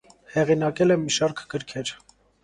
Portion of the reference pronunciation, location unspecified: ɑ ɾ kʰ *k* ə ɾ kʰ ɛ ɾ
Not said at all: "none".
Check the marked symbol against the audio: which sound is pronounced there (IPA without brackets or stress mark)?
ɡ